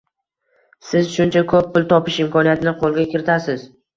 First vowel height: high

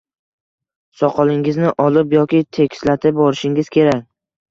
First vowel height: low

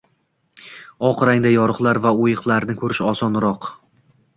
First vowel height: low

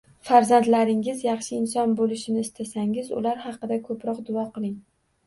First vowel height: low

